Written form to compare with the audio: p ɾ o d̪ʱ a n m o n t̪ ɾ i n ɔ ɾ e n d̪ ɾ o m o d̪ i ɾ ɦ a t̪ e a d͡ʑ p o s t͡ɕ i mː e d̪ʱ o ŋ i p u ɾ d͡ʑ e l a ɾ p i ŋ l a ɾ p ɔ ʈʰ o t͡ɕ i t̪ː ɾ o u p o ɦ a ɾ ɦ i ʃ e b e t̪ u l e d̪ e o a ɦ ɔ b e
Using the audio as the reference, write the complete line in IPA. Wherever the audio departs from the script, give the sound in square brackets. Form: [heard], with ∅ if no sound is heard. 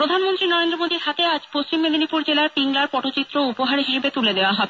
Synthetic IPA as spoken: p ɾ o d̪ʱ a n m o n t̪ ɾ i n ɔ ɾ e n d̪ ɾ o m o d̪ i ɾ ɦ a t̪ e a d͡ʑ p o s t͡ɕ i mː e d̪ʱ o [n] i p u ɾ d͡ʑ e l a ɾ p i ŋ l a ɾ p ɔ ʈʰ o t͡ɕ i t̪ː ɾ o u p o ɦ a ɾ ɦ i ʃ e b e t̪ u l e d̪ e o a ɦ ɔ b e